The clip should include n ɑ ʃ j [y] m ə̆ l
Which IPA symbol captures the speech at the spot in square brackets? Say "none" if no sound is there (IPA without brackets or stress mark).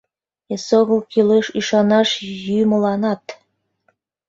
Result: y